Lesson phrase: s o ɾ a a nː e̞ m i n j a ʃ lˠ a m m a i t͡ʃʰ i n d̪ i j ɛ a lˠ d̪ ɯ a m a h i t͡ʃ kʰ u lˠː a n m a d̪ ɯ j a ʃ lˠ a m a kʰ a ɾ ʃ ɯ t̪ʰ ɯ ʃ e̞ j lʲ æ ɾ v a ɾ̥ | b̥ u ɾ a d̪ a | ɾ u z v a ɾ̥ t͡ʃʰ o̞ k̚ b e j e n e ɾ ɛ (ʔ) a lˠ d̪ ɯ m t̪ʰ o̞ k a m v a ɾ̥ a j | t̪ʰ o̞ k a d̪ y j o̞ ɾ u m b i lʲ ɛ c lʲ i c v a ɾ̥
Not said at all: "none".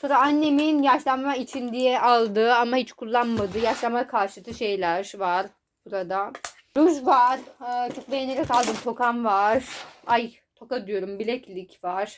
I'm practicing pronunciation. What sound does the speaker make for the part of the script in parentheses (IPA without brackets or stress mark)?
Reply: k